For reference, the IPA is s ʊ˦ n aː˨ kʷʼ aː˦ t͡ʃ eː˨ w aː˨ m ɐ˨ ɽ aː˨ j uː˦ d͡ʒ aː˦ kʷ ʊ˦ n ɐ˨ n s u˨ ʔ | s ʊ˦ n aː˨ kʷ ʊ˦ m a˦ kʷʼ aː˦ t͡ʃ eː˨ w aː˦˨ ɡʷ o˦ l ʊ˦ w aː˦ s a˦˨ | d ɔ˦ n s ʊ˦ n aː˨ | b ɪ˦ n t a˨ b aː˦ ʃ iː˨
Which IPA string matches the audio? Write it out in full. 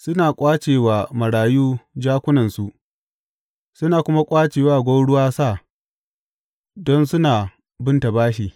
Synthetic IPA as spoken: s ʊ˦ n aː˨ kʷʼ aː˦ t͡ʃ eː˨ w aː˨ m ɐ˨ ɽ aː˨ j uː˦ d͡ʒ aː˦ kʷ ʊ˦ n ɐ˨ n s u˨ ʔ | s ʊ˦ n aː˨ kʷ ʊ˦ m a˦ kʷʼ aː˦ t͡ʃ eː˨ w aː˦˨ ɡʷ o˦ ɽ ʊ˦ w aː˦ s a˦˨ | d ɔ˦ n s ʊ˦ n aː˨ | b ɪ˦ n t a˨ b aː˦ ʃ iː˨

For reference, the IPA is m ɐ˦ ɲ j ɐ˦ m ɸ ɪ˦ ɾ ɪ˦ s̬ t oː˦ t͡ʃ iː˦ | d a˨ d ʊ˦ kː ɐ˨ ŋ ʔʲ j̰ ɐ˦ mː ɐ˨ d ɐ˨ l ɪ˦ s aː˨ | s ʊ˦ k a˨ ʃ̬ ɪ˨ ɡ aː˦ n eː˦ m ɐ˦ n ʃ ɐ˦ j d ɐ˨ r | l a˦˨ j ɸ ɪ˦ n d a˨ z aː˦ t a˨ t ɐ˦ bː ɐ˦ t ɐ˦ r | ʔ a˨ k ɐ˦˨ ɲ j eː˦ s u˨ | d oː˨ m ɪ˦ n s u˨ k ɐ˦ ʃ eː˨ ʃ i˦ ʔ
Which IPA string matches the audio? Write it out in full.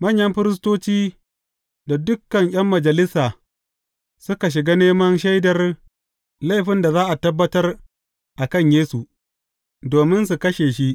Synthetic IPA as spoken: m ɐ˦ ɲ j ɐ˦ m ɸ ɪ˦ ɾ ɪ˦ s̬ t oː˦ t͡ʃ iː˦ | d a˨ d ʊ˦ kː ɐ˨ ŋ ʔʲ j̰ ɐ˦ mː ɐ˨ d͡ʒ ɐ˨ l ɪ˦ s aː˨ | s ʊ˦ k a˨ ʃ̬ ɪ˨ ɡ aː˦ n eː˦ m ɐ˦ n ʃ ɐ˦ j d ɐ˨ r | l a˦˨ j ɸ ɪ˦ n d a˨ z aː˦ ʔ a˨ t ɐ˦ bː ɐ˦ t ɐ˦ r | ʔ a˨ k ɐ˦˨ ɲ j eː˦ s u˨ | d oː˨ m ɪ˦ n s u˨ k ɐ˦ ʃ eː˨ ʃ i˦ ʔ

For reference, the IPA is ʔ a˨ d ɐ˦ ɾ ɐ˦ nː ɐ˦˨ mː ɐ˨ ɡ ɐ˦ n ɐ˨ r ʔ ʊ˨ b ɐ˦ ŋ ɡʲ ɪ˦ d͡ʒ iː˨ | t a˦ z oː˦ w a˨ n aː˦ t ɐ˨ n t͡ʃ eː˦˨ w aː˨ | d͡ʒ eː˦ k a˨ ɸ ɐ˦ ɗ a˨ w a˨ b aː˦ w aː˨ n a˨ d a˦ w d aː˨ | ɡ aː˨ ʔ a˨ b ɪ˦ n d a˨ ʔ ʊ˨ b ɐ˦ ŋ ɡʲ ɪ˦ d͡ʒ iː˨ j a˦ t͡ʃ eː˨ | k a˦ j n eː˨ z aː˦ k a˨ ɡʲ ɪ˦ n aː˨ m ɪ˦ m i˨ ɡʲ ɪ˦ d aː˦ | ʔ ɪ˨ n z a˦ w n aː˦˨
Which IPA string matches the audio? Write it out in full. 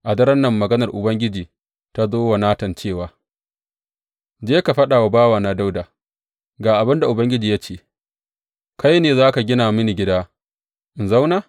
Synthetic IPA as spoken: ʔ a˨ d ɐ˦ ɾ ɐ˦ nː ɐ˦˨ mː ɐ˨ ɡ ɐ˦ n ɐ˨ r ʔ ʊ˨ b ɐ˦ ŋ ɡʲ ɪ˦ d͡ʒ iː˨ | t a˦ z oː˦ w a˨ n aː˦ t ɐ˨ n t͡ʃ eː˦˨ w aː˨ | d͡ʒ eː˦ k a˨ ɸ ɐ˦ ɗ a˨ w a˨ b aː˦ w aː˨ n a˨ d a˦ w d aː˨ | ɡ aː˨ ʔ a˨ b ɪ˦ n d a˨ ʔ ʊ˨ b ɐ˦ ŋ ɡʲ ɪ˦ d͡ʒ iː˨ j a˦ t͡ʃ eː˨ | k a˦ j n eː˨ z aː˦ k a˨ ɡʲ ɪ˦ n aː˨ m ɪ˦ n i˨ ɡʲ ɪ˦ d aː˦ | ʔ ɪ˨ n z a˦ w n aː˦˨

